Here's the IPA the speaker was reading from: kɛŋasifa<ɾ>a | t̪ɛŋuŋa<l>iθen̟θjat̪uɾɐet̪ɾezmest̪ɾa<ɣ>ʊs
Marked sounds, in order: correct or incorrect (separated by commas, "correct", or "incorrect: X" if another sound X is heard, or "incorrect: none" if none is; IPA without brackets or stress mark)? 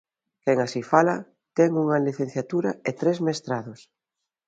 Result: incorrect: l, correct, incorrect: ð